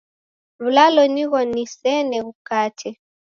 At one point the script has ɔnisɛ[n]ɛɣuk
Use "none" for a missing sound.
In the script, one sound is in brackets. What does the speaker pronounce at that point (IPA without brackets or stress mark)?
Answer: n